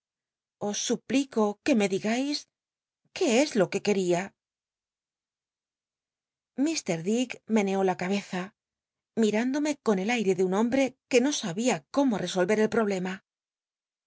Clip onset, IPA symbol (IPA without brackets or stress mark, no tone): o̞